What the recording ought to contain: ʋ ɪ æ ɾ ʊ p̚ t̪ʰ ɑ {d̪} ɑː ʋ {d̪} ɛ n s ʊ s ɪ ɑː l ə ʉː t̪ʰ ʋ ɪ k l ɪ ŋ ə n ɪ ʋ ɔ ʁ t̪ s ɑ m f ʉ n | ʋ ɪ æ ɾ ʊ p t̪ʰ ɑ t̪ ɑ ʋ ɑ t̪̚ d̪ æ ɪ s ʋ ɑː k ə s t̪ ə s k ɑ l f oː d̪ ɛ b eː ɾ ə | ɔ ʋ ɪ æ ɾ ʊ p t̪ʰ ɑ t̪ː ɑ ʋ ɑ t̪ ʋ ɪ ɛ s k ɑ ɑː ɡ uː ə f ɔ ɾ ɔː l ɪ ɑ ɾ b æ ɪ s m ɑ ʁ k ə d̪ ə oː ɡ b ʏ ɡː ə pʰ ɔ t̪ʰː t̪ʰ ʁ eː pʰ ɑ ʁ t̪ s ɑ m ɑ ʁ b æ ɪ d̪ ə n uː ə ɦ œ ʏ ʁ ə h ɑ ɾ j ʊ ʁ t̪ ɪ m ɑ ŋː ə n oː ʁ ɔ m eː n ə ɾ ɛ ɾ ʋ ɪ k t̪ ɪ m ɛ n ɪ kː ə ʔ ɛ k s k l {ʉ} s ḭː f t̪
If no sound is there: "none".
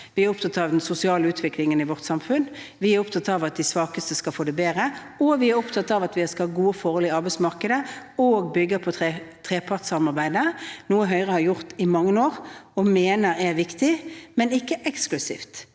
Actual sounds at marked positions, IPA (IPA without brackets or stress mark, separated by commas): t̪, d̪, ʉ